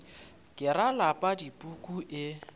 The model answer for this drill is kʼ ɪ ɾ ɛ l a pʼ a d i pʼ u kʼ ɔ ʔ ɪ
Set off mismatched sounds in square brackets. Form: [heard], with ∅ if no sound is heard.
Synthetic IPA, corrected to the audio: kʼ ɪ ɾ [a] l a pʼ a d i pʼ u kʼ [u] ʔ ɪ